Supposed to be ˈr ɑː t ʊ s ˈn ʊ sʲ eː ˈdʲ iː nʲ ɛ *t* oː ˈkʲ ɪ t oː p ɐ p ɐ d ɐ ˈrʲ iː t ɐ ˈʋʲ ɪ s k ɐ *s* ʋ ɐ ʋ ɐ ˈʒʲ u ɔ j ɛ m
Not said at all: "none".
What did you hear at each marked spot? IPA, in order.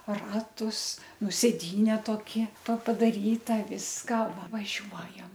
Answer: t, none

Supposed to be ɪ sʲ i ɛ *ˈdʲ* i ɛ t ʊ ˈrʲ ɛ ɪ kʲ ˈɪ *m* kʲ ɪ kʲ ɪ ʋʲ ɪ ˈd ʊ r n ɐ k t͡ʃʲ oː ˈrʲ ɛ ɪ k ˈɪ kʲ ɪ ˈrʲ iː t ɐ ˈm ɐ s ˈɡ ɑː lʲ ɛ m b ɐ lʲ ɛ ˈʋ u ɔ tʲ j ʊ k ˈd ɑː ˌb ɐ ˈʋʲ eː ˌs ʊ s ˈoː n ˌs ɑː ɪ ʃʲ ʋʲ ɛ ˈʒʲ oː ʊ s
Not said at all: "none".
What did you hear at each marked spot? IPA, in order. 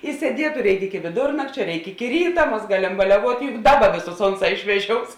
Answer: dʲ, none

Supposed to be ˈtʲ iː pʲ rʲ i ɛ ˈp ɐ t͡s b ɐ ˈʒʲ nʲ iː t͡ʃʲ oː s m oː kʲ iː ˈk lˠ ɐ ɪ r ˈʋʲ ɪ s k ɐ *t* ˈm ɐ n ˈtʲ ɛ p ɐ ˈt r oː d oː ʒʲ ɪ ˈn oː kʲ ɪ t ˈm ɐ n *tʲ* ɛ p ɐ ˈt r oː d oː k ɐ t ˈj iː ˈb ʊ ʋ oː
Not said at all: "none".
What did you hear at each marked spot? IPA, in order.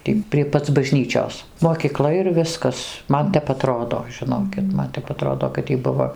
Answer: s, tʲ

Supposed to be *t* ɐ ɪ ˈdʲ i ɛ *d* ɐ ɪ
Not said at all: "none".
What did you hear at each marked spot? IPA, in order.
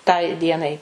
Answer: t, n

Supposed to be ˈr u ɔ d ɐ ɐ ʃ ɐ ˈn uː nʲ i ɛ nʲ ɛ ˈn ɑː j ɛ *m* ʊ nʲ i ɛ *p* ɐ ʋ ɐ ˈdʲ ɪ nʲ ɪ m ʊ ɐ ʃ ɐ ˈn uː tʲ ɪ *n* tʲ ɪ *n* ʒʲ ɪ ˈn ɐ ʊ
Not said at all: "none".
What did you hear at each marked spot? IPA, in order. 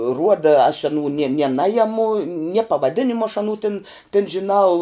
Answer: m, p, n, n

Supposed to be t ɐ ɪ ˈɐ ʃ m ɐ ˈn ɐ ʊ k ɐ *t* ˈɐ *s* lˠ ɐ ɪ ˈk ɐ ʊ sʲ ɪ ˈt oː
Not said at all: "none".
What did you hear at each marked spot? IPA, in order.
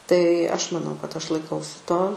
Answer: t, ʃ

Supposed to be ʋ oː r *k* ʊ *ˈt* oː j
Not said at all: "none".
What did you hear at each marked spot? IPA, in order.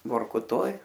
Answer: k, t

